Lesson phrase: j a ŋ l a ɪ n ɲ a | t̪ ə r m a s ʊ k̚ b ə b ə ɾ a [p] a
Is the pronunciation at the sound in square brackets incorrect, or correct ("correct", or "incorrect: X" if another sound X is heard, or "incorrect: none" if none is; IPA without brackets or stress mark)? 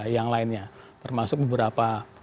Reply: correct